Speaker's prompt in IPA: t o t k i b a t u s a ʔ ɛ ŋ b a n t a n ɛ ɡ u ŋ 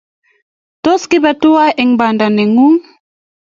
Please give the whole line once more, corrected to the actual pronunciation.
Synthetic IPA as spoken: t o s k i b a t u a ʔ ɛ ŋ b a n d a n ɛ ŋ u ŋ